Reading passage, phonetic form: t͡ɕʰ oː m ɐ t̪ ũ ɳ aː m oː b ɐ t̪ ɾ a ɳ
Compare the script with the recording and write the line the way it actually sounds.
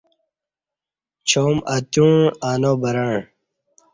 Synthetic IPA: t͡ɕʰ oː m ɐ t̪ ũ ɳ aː n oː b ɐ ɾ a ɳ